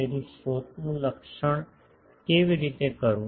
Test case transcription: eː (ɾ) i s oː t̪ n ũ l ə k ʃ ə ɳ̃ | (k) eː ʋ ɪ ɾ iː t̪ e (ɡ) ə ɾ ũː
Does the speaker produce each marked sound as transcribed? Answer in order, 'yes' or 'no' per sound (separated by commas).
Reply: yes, yes, no